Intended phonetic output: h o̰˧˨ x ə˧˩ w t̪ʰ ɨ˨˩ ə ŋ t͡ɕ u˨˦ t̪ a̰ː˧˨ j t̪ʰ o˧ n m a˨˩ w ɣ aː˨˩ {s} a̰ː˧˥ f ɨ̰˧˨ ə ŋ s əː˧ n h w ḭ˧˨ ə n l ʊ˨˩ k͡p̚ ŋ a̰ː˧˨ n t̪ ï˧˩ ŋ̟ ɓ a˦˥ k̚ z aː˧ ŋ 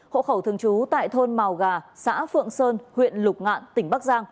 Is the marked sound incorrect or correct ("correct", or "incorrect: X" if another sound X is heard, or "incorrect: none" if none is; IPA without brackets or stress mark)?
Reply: correct